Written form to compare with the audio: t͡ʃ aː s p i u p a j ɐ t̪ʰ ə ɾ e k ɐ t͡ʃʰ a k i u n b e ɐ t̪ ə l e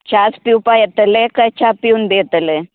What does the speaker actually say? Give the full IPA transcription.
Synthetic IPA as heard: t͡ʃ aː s p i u p a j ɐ t̪ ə l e k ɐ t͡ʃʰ a p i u n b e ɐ t̪ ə l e